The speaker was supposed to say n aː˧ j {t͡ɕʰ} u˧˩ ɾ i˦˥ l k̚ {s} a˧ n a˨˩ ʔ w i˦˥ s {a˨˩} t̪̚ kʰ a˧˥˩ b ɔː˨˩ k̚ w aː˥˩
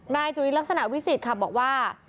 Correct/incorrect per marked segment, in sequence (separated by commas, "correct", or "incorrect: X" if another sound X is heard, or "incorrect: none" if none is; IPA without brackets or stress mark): incorrect: t͡ɕ, correct, incorrect: i˨˩